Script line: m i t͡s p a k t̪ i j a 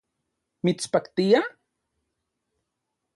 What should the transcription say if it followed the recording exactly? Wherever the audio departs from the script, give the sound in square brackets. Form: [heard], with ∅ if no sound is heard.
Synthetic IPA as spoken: m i t͡s p a k t̪ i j a